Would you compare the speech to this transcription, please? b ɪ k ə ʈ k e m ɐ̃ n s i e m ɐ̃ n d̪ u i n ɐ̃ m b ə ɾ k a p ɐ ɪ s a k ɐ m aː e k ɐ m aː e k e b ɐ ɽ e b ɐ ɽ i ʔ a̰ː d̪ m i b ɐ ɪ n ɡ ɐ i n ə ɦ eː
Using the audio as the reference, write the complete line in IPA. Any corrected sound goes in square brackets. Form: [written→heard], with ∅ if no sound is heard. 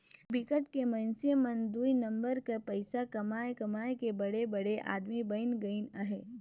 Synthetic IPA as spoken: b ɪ k ə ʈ k e m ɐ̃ n s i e m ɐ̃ n d̪ u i n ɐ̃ m b ə ɾ k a p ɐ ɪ s a k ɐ m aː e k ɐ m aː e k e b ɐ ɽ e b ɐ ɽ [i→e] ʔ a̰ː d̪ m i b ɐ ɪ n ɡ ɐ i n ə ɦ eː